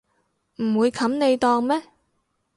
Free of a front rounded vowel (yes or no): yes